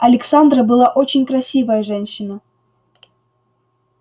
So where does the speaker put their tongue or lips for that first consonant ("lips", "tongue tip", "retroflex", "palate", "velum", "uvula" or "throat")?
tongue tip